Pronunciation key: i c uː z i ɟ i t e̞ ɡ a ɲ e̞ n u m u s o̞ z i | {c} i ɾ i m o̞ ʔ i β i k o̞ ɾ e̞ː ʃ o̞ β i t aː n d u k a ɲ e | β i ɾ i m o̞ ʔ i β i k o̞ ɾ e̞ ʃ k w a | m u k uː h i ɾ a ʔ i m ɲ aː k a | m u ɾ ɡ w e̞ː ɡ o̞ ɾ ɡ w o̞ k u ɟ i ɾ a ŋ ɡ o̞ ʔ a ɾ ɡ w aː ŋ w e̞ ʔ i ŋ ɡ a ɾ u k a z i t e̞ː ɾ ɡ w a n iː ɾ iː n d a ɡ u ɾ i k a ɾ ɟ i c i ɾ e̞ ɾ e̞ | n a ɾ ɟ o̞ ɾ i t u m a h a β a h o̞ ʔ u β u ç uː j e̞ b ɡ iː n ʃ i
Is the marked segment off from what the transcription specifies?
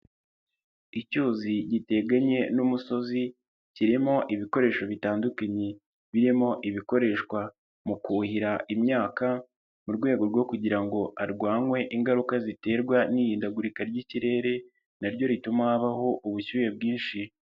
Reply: no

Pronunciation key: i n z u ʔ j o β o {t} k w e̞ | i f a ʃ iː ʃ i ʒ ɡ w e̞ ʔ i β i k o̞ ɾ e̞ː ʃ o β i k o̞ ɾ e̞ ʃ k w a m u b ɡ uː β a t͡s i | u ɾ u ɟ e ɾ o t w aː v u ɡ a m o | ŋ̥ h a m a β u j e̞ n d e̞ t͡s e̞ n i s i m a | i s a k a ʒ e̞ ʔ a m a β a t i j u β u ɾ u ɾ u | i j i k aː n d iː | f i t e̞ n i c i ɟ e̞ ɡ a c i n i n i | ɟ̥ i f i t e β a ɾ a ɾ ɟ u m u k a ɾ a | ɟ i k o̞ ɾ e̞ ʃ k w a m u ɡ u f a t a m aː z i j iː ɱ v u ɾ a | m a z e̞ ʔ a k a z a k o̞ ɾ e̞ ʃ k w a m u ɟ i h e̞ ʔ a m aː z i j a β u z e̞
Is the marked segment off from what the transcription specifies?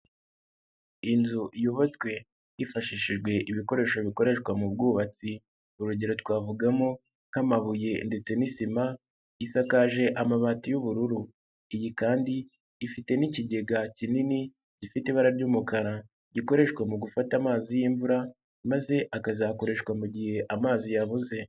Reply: yes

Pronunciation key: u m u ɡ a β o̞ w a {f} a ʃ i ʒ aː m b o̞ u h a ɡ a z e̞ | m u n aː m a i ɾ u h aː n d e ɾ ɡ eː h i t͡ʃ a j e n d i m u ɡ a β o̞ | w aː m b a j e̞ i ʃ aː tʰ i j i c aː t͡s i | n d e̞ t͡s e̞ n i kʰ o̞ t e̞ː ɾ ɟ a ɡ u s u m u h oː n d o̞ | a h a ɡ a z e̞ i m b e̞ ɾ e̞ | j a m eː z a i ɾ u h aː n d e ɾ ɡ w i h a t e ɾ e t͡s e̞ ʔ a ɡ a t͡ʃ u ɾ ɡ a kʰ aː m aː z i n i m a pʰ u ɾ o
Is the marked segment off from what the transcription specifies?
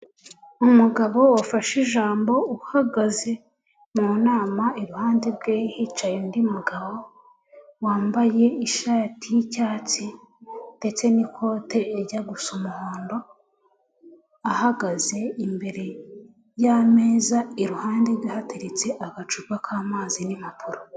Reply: no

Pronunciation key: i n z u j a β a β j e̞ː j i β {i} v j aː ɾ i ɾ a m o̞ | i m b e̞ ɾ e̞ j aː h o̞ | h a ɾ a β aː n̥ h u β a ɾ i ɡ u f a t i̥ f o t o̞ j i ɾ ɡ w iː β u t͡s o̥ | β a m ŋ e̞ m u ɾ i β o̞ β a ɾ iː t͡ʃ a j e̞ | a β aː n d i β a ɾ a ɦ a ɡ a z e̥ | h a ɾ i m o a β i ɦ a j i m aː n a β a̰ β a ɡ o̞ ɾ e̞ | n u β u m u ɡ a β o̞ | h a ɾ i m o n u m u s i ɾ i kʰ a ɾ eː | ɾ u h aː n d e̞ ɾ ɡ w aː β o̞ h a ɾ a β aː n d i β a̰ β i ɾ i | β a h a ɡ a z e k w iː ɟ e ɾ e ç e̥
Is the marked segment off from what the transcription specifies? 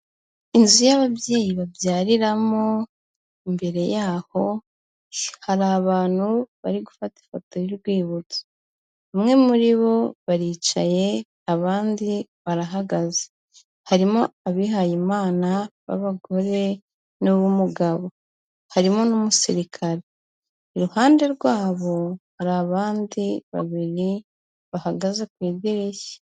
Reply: yes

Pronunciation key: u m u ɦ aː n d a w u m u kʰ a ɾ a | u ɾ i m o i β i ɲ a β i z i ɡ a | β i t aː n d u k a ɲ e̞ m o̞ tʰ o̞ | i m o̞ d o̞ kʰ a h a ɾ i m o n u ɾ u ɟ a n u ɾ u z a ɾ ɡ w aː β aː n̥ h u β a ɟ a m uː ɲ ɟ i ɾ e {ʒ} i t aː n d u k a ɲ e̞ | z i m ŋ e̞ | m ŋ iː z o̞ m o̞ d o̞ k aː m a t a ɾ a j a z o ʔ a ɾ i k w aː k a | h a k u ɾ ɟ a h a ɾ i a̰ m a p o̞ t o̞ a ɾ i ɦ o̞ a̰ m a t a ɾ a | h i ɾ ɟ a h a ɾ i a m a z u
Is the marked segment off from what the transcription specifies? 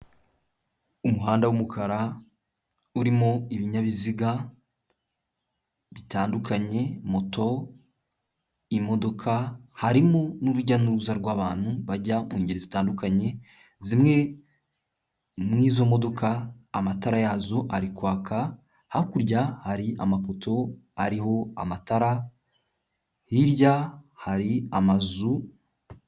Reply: yes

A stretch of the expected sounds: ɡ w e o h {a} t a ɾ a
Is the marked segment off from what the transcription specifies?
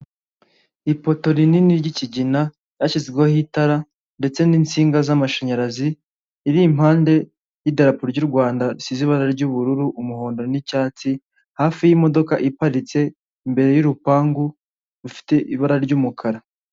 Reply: yes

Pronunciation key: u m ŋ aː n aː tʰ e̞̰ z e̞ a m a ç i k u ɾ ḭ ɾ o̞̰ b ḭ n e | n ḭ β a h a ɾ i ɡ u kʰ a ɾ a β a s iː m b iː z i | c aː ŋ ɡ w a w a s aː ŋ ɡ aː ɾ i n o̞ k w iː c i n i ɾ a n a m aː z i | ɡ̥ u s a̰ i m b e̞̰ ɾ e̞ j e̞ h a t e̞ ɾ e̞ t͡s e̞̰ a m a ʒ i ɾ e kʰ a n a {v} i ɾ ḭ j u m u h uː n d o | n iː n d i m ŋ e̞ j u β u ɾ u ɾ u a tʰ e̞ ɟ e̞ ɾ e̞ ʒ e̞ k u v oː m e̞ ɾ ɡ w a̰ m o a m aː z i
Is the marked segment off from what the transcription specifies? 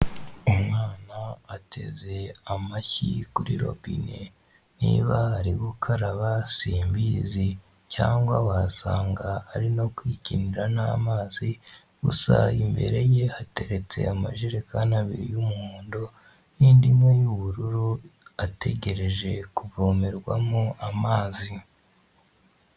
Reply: yes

